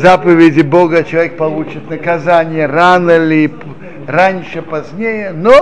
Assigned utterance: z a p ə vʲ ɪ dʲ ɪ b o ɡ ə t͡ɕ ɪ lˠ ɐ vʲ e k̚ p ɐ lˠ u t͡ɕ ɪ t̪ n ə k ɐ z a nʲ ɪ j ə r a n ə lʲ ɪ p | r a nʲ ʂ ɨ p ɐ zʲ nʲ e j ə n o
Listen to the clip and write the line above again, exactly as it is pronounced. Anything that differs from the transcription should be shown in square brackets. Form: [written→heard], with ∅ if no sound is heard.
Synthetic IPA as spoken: z a p ə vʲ ɪ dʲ ɪ b o ɡ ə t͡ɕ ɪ lˠ ɐ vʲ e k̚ p ɐ lˠ u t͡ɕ ɪ t̪ n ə k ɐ z a nʲ ɪ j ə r a n ə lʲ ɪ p | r a nʲ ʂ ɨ p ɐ zʲ nʲ e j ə n o